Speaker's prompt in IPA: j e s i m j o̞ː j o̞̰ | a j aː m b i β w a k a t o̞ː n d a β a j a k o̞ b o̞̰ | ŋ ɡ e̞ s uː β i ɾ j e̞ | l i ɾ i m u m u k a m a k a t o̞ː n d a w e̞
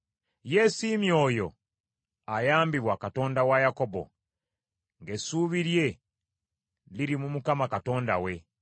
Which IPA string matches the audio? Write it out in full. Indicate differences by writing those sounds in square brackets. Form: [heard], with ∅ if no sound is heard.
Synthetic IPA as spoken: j e s i m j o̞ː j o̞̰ | a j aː m b i β w a k a t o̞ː n d a [w] a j a k o̞ b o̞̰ | ŋ ɡ e̞ s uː β i ɾ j e̞ | l i ɾ i m u m u k a m a k a t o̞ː n d a w e̞